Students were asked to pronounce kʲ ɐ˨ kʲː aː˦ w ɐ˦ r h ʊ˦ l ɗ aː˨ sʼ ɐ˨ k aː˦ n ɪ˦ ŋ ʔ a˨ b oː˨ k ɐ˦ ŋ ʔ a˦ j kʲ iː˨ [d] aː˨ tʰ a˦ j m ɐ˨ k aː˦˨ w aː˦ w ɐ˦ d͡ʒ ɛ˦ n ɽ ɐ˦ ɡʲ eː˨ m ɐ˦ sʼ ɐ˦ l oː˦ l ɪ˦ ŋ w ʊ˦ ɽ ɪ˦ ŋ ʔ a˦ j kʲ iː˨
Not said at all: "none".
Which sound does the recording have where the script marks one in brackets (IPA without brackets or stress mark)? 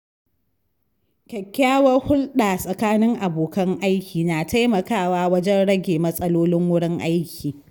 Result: n